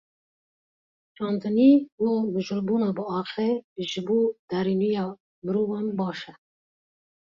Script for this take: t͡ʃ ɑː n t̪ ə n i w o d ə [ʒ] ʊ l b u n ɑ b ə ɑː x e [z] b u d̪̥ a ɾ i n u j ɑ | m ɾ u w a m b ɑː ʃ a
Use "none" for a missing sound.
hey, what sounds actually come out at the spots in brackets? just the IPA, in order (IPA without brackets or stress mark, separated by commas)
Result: ʒ, ʒ